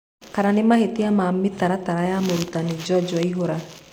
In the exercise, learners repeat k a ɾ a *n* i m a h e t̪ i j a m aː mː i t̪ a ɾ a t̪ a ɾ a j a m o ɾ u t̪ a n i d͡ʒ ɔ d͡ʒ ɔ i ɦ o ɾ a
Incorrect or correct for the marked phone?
correct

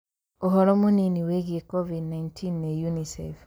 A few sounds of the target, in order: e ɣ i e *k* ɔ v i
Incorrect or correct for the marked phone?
correct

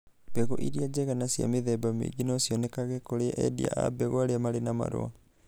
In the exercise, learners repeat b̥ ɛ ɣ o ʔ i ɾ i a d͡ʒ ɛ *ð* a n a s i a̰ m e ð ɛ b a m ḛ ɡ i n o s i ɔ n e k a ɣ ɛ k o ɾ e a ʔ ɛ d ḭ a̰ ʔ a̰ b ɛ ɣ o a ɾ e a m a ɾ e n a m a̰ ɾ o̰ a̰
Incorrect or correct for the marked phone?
incorrect: ɣ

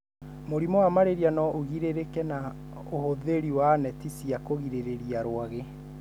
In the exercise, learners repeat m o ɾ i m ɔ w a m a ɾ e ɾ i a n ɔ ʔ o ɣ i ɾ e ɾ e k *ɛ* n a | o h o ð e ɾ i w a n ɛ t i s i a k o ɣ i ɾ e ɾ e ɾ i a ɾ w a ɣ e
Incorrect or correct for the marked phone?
correct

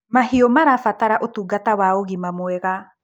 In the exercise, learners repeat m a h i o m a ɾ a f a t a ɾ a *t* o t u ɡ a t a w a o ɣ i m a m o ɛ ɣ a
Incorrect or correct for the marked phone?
incorrect: ʔ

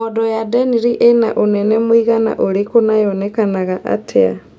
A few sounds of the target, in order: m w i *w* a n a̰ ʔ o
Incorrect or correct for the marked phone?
incorrect: ɣ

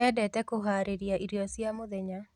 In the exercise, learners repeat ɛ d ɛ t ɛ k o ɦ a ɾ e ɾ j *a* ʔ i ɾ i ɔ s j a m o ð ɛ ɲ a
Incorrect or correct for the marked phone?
correct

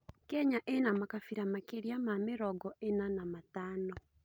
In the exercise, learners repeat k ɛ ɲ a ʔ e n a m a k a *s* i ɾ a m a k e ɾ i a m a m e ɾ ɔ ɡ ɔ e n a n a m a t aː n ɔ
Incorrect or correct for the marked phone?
incorrect: f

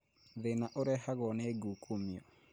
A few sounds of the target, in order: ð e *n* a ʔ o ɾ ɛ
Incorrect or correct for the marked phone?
correct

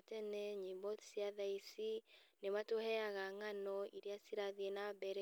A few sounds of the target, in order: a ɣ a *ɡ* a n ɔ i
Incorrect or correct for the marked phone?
incorrect: ŋ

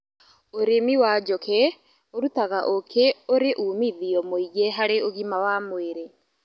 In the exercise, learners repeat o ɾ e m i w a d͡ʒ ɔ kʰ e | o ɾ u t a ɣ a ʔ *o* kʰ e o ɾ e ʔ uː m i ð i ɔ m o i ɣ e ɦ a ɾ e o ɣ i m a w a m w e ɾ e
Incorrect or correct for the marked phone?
correct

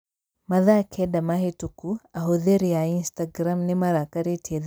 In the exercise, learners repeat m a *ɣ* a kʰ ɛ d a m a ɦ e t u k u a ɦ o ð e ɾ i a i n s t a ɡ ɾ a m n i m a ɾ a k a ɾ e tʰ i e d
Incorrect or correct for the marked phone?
incorrect: ð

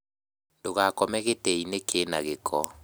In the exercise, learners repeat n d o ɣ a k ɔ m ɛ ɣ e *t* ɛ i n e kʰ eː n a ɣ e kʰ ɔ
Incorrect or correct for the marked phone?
correct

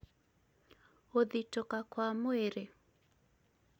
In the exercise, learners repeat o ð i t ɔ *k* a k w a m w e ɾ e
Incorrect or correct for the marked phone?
correct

